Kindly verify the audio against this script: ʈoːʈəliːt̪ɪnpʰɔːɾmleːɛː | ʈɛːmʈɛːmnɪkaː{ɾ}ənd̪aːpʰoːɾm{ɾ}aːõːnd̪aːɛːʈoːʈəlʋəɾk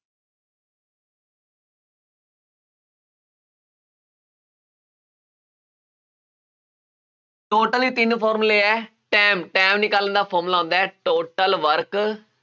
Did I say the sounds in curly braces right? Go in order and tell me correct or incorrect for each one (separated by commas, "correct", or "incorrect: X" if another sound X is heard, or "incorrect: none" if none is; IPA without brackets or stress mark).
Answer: incorrect: l, incorrect: l